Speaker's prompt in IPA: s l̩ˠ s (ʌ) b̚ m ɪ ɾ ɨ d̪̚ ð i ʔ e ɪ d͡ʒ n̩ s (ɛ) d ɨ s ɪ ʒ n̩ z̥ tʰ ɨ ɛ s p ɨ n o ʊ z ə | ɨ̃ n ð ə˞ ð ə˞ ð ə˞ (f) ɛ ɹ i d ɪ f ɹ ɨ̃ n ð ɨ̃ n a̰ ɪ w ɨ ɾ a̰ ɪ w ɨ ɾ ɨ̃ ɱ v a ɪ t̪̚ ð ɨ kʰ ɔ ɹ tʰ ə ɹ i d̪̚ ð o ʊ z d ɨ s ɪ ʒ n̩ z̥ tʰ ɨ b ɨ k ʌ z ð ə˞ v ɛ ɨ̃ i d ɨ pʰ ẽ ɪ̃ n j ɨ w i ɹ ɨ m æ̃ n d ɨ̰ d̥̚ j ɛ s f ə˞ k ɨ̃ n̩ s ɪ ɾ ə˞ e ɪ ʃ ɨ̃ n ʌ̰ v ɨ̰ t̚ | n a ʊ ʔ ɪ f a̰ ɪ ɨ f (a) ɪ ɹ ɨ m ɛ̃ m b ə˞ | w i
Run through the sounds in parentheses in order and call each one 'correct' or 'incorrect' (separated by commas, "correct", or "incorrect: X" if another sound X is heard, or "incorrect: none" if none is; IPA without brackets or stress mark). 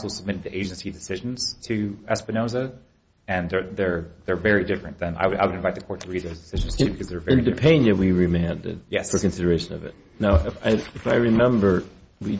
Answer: incorrect: ə, incorrect: i, incorrect: v, correct